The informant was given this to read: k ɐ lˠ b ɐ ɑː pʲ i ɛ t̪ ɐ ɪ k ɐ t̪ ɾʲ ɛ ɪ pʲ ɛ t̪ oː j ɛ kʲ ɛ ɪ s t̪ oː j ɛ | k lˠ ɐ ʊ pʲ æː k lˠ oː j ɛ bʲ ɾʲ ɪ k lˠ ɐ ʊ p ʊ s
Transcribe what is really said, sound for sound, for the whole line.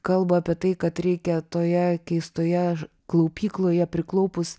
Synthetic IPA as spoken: k ɐ lˠ b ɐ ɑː pʲ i ɛ t̪ ɐ ɪ k ɐ t̪ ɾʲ ɛ ɪ kʲ ɛ t̪ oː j ɛ kʲ ɛ ɪ s t̪ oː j ɛ | k lˠ ɐ ʊ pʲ iː k lˠ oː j ɛ pʲ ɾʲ ɪ k lˠ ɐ ʊ p ʊ s